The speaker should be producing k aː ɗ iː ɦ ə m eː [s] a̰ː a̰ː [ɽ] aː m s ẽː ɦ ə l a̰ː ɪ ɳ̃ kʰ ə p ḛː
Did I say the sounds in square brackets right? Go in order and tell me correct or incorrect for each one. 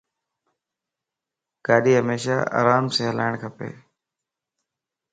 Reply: incorrect: ʃ, incorrect: ɾ

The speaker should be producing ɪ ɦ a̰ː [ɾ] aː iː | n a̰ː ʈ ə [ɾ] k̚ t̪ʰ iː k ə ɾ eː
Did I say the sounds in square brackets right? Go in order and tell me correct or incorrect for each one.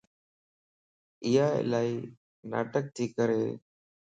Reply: incorrect: l, incorrect: none

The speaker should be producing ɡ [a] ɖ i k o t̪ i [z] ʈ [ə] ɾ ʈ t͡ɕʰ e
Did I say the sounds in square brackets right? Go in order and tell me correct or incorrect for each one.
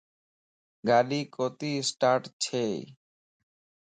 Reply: correct, incorrect: s, incorrect: a

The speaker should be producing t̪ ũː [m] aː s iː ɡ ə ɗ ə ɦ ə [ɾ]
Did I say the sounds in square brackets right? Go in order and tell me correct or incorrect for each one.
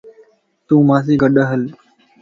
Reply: correct, incorrect: l

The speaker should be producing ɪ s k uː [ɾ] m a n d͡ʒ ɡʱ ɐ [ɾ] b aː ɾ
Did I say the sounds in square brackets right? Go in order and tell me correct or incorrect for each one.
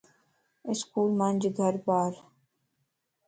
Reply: incorrect: l, correct

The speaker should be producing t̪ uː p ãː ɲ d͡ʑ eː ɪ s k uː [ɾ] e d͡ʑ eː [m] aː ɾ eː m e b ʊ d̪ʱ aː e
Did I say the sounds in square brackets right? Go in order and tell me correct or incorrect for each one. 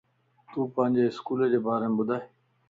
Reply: incorrect: l, incorrect: b

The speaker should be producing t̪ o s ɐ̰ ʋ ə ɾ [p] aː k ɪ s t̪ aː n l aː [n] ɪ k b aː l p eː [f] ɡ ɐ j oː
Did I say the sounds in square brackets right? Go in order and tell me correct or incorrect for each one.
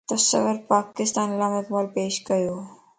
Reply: correct, incorrect: m, incorrect: ʃ

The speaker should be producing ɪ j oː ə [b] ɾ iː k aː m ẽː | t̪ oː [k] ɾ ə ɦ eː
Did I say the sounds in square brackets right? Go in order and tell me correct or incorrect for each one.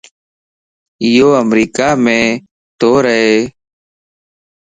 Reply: incorrect: m, incorrect: none

